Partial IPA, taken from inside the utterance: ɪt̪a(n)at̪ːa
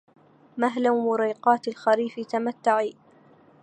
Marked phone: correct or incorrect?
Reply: incorrect: m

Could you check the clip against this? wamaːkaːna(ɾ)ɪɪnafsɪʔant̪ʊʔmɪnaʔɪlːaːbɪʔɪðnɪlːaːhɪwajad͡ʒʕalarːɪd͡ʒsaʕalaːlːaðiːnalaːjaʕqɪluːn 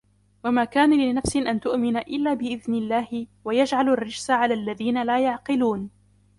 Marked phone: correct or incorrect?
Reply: incorrect: l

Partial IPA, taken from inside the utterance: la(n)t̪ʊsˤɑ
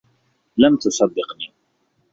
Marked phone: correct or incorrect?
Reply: incorrect: m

